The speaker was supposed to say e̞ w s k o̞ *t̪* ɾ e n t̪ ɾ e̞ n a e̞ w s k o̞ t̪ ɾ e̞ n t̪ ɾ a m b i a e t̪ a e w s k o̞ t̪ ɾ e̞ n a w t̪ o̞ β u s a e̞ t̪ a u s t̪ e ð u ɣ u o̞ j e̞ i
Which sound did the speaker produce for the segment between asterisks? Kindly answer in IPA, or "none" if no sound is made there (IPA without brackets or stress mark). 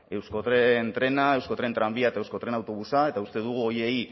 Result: t̪